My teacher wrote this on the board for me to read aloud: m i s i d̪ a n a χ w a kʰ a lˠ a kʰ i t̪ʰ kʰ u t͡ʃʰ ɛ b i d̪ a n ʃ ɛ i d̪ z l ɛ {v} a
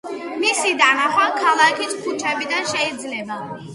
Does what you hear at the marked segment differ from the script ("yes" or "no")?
yes